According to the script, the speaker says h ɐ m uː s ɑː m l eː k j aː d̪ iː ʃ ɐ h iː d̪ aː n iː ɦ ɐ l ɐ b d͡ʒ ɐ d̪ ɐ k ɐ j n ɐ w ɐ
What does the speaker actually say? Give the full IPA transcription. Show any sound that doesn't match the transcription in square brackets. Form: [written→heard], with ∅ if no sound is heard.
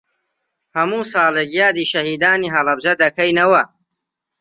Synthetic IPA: h ɐ m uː s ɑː [m→∅] l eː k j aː d̪ iː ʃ ɐ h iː d̪ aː n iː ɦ ɐ l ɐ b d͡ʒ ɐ d̪ ɐ k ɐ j n ɐ w ɐ

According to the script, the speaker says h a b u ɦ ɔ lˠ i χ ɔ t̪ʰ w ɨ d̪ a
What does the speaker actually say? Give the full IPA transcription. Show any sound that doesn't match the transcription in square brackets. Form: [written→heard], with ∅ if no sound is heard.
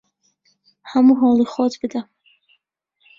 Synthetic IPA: h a [b→m] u ɦ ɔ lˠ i χ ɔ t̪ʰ [w→b] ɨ d̪ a

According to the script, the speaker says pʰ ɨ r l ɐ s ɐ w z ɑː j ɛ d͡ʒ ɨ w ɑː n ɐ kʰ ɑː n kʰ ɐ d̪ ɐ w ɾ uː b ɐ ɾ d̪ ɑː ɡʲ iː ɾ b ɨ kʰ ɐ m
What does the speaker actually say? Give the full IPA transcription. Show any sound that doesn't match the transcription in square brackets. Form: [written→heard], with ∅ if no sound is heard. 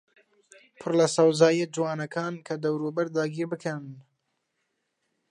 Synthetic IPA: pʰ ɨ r l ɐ s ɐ w z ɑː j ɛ d͡ʒ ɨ w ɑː n ɐ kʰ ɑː n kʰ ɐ d̪ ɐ w ɾ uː b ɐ ɾ d̪ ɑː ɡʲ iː ɾ b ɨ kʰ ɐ [m→n]

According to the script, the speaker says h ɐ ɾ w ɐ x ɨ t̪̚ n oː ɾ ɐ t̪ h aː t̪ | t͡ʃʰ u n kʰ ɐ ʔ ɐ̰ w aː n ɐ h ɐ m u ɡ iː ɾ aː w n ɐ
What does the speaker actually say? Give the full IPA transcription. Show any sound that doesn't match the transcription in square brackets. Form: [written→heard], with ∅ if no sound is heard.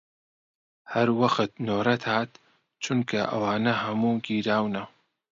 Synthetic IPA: h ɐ ɾ w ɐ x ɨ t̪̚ n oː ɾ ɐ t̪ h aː t̪ | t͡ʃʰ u n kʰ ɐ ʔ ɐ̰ w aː n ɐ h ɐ m u ɡ iː ɾ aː w n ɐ

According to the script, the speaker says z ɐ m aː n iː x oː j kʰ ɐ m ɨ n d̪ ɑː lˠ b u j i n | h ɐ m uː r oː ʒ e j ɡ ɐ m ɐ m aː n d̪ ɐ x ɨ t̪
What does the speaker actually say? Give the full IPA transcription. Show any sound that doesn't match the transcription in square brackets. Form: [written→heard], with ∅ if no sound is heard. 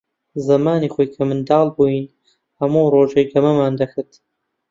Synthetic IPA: z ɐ m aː n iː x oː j kʰ ɐ m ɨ n d̪ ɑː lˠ b u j i n | h ɐ m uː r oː ʒ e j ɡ ɐ m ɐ m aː n d̪ ɐ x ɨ t̪

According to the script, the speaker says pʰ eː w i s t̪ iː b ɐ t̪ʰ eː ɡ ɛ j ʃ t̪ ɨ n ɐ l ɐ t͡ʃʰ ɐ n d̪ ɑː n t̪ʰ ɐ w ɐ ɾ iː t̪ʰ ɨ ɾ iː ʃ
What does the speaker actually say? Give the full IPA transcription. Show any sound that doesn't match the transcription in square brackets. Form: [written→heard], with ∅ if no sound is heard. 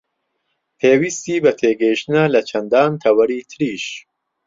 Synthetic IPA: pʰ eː w i s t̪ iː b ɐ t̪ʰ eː ɡ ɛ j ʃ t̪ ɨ n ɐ l ɐ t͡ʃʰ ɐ n d̪ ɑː n t̪ʰ ɐ w ɐ ɾ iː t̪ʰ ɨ ɾ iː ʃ

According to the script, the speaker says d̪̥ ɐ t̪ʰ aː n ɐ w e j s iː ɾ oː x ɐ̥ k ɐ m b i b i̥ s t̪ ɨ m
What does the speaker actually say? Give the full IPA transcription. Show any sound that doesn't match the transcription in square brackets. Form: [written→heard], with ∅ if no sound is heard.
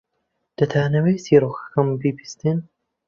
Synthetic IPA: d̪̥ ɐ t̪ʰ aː n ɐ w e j s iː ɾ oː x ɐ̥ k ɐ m b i b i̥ s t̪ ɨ [m→n]

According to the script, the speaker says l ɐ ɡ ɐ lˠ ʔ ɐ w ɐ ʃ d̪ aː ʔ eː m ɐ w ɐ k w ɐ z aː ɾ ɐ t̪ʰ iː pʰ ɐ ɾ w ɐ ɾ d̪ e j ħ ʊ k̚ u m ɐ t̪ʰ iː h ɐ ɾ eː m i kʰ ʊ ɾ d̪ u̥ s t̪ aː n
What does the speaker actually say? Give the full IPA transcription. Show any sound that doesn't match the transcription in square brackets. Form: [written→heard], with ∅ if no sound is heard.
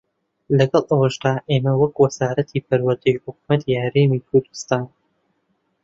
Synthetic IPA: l ɐ ɡ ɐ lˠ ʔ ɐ w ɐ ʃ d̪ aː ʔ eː m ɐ w ɐ k w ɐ z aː ɾ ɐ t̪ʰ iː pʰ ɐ ɾ w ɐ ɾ d̪ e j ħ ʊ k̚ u m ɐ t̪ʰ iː h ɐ ɾ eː m i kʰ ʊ ɾ d̪ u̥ s t̪ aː n

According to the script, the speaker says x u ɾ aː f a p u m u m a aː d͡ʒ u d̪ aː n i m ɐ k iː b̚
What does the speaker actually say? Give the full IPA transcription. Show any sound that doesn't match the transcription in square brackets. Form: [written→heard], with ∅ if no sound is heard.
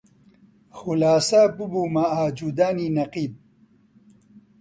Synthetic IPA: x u [ɾ→l] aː [f→s] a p u [m→b] u m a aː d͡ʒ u d̪ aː n i [m→n] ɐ [k→q] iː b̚

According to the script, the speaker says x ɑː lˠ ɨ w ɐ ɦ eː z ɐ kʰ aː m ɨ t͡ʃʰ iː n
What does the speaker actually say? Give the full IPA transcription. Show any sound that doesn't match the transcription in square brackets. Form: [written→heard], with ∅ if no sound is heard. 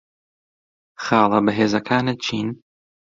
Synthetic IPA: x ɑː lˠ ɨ [w→b] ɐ ɦ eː z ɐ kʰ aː [m→n] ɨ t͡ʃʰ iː n

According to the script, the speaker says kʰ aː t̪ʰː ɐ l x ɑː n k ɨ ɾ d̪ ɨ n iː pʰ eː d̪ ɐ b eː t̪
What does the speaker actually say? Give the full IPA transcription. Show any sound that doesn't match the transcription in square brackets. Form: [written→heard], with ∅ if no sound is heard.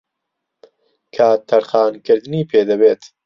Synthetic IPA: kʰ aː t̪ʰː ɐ [l→ɾ] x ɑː n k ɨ ɾ d̪ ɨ n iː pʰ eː d̪ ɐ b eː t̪

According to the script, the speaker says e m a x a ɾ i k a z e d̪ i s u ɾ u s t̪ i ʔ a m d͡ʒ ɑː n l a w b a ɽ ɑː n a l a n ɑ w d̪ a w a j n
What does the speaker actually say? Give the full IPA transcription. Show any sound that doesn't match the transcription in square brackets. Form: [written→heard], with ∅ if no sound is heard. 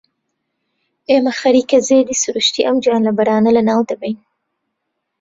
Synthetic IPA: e m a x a ɾ i k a z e d̪ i s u ɾ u [s→ʃ] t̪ i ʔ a m d͡ʒ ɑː n l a [w→∅] b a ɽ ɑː n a l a n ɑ w d̪ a [w→b] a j n

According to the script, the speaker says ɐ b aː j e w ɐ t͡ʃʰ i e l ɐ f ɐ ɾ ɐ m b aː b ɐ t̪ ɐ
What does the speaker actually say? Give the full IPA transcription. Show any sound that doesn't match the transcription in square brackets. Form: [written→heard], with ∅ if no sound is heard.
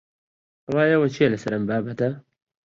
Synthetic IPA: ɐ [b→w] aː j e w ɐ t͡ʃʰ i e l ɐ [f→s] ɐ ɾ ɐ m b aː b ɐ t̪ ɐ

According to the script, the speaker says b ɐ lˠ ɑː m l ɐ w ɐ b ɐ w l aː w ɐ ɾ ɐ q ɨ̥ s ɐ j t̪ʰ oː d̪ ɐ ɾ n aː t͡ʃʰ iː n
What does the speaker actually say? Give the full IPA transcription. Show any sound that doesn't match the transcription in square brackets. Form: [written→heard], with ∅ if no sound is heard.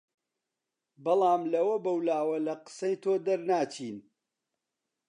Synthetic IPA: b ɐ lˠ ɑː m l ɐ w ɐ b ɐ w l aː w ɐ [ɾ→l] ɐ q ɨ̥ s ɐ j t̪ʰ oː d̪ ɐ ɾ n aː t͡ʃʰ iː n

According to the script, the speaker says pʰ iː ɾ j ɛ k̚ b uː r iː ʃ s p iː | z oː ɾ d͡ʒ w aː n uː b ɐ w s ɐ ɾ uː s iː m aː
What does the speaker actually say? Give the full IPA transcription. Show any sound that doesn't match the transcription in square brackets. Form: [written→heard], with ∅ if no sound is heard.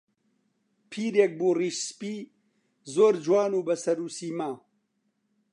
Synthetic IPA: pʰ iː ɾ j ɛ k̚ b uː r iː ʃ s p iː | z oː ɾ d͡ʒ w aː n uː b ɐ [w→∅] s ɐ ɾ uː s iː m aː

